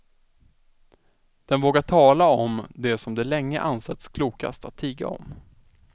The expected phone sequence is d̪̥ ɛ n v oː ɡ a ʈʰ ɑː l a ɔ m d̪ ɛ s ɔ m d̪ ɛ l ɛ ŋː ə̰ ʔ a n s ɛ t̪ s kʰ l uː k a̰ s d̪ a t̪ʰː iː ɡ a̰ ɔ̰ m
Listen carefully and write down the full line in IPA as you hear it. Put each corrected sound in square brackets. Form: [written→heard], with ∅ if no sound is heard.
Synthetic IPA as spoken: d̪̥ ɛ n v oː ɡ a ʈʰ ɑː l a ɔ m d̪ ɛ s ɔ m d̪ ɛ l ɛ ŋː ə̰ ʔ a n s ɛ t̪ s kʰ l uː k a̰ s [d̪→t̪] a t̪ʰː iː ɡ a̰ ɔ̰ m